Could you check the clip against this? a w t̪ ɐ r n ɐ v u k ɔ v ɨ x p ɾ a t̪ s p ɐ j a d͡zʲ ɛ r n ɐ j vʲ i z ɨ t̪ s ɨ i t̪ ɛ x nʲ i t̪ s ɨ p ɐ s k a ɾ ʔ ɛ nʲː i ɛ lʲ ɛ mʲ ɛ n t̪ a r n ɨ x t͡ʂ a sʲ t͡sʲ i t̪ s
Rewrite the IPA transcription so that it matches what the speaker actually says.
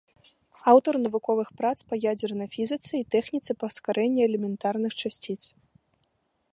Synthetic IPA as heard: a w t̪ ɐ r n ɐ v u k ɔ v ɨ x p ɾ a t̪ s p ɐ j a d͡zʲ ɛ r n ɐ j fʲ i z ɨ t̪ s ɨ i t̪ ɛ x nʲ i t̪ s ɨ p ɐ s k a ɾ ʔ ɛ nʲː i ɛ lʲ ɛ mʲ ɛ n t̪ a r n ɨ x t͡ʂ a sʲ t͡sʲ i t̪ s